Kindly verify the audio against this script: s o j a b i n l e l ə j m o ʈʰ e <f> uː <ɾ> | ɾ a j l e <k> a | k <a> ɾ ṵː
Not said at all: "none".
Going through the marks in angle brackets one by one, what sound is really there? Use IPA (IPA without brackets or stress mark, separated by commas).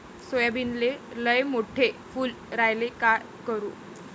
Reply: f, l, k, ə